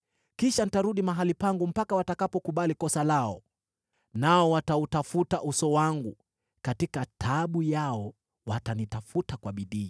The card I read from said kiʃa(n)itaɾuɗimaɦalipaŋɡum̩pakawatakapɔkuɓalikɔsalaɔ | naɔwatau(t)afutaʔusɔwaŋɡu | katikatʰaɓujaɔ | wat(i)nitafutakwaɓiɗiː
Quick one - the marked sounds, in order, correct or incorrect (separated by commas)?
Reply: correct, correct, incorrect